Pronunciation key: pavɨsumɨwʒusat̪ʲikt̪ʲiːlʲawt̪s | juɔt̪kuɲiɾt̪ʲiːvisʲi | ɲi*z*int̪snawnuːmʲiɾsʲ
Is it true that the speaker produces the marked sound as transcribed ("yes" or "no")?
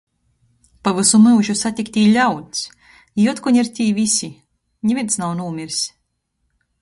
no